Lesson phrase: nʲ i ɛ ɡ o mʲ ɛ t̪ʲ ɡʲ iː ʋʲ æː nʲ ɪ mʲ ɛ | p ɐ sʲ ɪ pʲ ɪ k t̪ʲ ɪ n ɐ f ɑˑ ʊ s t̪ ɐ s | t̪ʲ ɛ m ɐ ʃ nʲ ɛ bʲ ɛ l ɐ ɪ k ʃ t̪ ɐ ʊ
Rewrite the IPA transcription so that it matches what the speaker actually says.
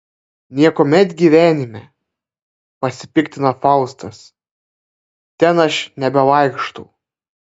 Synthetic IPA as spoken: nʲ i ɛ k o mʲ ɛ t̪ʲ ɡʲ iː ʋʲ æː nʲ ɪ mʲ ɛ | p ɐ sʲ ɪ pʲ ɪ k t̪ʲ ɪ n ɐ f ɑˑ ʊ s t̪ ɐ s | t̪ʲ ɛ n ɐ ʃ nʲ ɛ bʲ ɛ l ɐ ɪ k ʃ t̪ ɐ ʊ